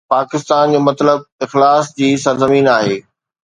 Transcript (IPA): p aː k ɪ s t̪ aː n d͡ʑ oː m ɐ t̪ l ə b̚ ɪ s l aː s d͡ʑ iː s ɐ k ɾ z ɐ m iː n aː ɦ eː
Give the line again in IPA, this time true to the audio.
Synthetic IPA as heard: p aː k ɪ s t̪ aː n d͡ʑ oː m ɐ t̪ l ə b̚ ɪ x l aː s d͡ʑ iː s ɐ ɾ z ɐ m iː n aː ɦ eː